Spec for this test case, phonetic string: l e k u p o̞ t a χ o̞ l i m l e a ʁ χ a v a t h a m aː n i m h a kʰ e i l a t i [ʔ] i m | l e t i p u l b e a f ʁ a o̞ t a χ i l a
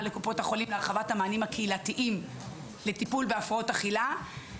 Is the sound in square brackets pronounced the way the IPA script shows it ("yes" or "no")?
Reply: yes